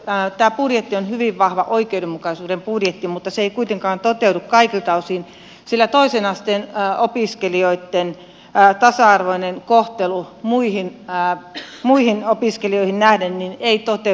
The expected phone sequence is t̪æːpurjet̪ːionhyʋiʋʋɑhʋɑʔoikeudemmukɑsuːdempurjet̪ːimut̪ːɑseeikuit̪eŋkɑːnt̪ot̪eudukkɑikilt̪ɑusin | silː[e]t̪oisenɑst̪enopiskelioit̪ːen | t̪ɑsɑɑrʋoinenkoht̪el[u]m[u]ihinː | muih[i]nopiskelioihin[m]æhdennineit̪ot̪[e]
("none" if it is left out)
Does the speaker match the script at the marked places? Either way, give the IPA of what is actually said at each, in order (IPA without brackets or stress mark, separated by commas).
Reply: æ, u, u, i, n, e